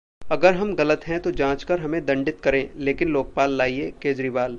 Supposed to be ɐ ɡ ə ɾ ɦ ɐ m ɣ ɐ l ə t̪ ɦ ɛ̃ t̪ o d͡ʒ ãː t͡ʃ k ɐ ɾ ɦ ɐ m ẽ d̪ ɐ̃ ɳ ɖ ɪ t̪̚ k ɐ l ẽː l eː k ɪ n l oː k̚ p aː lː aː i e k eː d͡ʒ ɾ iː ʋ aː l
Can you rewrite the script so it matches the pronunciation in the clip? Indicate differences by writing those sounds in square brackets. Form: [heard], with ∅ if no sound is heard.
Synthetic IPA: ɐ ɡ ə ɾ ɦ ɐ m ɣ ɐ l ə t̪ ɦ ɛ̃ t̪ o d͡ʒ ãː t͡ʃ k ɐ ɾ ɦ ɐ m ẽ d̪ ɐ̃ ɳ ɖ ɪ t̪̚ k ɐ [ɾ] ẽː l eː k ɪ n l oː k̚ p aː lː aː i e k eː d͡ʒ ɾ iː ʋ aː l